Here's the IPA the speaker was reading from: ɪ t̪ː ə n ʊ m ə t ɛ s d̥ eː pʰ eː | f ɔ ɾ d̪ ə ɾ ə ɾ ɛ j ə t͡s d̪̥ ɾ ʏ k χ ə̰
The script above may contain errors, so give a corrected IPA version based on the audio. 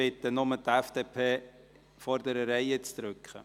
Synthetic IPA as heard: ɪ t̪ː ə n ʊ m ə t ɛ f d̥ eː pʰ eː | f ɔ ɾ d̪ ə ɾ ə ɾ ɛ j ə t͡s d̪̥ ɾ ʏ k χ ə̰